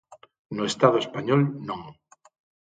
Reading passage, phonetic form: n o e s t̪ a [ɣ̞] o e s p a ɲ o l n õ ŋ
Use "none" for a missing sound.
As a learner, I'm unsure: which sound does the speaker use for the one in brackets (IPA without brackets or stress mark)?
ð̞